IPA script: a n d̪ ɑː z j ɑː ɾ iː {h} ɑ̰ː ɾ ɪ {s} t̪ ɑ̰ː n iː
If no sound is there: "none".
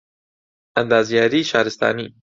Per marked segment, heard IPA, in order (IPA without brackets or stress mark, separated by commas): ʃ, s